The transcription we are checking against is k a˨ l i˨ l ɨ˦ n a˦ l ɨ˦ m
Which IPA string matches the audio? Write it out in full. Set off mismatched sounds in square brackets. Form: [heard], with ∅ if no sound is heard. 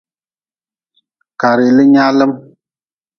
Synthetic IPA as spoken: k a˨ [ɾ] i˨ l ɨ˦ [ɲ] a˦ l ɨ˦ m